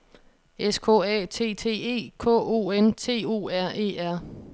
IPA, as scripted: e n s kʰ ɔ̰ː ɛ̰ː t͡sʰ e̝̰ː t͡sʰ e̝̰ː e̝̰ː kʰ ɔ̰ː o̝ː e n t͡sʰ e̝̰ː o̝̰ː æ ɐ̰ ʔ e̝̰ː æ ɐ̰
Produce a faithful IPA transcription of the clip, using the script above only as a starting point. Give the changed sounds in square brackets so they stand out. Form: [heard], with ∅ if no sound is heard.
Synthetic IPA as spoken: e [∅] s kʰ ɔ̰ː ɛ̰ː t͡sʰ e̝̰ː t͡sʰ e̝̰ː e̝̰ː kʰ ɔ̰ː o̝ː e n t͡sʰ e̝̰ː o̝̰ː æ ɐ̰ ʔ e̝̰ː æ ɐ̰